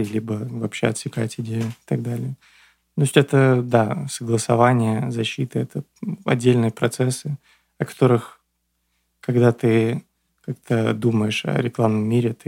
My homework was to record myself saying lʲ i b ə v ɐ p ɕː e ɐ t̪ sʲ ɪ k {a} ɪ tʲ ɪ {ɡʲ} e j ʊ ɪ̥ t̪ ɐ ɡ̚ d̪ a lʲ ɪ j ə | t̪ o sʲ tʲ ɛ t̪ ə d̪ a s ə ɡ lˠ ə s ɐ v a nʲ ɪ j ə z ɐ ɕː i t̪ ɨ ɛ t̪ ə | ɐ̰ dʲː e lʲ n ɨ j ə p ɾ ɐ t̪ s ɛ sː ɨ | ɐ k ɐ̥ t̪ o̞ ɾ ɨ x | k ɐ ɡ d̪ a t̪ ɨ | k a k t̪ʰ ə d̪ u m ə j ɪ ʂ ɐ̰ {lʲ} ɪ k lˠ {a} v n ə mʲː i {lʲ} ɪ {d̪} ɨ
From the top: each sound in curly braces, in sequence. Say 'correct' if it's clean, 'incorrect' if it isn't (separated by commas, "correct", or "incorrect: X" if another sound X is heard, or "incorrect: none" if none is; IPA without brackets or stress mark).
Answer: correct, incorrect: dʲ, incorrect: ɾʲ, correct, incorrect: ɾʲ, incorrect: t̪